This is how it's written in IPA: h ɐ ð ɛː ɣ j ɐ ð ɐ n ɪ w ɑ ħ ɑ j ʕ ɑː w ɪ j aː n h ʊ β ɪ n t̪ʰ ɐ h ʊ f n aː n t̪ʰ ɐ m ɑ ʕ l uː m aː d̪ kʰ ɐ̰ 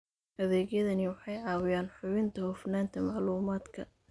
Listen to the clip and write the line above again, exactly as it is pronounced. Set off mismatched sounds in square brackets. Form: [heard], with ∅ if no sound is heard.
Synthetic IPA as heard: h ɐ ð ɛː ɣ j ɐ ð ɐ n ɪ w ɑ ħ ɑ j ʕ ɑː w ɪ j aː n [ħ] ʊ β ɪ n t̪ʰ ɐ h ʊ f n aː n t̪ʰ ɐ m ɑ ʕ l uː m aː d̪ kʰ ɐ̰